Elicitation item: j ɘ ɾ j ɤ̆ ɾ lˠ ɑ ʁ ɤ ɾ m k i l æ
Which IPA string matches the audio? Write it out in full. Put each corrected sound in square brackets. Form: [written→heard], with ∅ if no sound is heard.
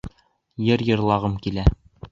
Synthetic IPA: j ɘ ɾ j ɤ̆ ɾ lˠ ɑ ʁ ɤ [ɾ→∅] m k i l æ